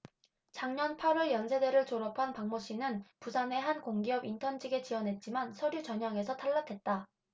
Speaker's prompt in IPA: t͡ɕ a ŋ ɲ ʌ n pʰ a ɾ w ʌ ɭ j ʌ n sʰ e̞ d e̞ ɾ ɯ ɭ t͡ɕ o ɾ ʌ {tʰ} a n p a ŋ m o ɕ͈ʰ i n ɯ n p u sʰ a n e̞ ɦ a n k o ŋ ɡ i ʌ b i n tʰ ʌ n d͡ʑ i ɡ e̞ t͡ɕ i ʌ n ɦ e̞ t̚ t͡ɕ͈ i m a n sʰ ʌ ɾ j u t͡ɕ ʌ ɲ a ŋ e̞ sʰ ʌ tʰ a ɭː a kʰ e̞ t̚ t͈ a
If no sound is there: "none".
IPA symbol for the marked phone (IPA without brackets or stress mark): pʰ